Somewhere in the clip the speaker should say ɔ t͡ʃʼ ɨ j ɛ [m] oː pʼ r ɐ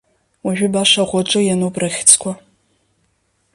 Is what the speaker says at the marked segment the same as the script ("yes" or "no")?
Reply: no